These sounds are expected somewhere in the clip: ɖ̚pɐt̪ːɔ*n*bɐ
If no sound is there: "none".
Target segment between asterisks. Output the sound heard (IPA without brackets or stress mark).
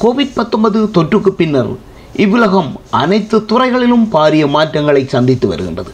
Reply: m